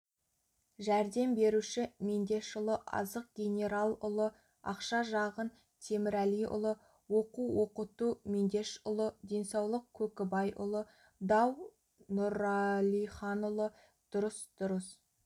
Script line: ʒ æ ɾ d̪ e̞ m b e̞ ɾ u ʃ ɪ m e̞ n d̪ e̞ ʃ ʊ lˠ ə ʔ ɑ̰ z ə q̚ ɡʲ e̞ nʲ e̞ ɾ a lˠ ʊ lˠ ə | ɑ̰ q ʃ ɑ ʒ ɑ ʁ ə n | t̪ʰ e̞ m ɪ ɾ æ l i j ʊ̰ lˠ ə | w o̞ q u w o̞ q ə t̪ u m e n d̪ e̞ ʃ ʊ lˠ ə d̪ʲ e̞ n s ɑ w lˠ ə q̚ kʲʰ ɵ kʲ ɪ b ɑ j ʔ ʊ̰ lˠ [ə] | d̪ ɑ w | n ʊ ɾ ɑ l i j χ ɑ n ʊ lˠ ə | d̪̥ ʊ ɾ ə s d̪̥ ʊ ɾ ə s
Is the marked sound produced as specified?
yes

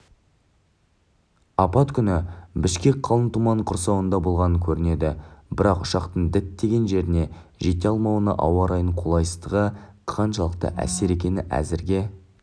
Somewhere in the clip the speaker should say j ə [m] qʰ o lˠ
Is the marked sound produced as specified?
no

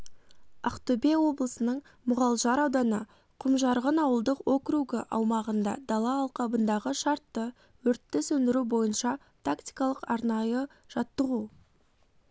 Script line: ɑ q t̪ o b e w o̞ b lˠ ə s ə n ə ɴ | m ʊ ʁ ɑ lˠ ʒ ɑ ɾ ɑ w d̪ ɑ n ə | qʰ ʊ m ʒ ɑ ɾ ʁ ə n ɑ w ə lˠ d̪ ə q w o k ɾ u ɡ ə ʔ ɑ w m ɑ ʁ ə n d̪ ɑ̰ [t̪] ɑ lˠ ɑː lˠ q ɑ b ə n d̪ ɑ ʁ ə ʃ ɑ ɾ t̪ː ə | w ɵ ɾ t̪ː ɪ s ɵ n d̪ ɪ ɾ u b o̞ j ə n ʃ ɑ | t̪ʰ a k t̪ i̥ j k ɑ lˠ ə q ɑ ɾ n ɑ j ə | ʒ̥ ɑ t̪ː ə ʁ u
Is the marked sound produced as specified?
no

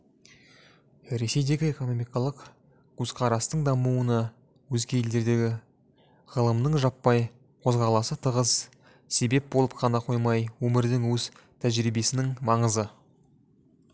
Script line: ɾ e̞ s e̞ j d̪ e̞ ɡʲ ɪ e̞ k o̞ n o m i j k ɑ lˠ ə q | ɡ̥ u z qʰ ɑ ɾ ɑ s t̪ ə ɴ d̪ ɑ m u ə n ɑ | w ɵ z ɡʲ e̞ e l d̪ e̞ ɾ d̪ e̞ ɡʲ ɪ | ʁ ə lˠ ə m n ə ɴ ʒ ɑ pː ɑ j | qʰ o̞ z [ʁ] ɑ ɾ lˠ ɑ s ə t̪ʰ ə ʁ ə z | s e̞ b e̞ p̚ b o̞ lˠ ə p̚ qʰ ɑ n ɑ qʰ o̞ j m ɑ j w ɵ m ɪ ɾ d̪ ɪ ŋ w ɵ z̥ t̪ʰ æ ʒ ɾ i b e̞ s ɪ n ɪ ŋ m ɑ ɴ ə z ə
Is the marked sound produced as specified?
yes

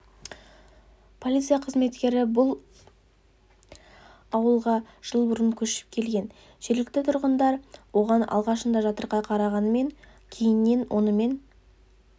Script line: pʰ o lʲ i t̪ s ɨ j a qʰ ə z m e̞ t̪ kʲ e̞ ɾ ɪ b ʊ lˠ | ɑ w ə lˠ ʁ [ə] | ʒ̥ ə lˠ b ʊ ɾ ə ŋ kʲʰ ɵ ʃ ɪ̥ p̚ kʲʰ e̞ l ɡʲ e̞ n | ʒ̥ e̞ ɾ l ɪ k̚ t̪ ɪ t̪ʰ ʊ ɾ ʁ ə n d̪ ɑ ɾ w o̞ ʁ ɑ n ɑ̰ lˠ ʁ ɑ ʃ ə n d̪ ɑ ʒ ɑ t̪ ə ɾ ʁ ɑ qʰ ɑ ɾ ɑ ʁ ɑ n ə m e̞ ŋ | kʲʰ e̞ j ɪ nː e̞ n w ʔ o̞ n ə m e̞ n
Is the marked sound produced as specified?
no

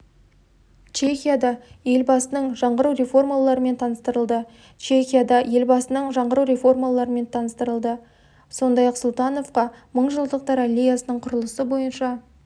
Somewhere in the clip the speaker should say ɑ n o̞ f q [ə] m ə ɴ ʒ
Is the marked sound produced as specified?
no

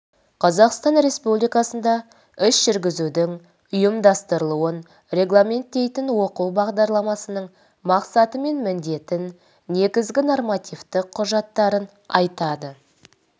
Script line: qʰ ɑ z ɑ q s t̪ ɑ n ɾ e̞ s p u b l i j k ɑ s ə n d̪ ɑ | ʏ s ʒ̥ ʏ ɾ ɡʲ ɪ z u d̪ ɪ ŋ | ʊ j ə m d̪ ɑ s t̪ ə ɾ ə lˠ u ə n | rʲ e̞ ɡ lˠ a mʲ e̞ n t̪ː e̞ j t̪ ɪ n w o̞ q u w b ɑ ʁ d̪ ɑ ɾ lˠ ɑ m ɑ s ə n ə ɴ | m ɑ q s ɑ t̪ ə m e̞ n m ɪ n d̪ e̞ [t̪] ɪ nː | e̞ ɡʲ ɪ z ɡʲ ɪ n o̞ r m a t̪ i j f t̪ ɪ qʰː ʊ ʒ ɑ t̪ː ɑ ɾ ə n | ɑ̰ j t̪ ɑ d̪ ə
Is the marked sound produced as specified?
yes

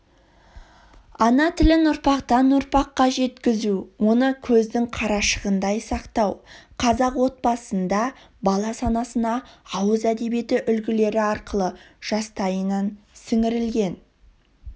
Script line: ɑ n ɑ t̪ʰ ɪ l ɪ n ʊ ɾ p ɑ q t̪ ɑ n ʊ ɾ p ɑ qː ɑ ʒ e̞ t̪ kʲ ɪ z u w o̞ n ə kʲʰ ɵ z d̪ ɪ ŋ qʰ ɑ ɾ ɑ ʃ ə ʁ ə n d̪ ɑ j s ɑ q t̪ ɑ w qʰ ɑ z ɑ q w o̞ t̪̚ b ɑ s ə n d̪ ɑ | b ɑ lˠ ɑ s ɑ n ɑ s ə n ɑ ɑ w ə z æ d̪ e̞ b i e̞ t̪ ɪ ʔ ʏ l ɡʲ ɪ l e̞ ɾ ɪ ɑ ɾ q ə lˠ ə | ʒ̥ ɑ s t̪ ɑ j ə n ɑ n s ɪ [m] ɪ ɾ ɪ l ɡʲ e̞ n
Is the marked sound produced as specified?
no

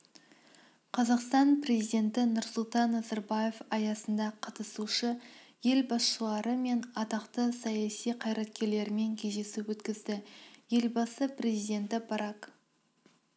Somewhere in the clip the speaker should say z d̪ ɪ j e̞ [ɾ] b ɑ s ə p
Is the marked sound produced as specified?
no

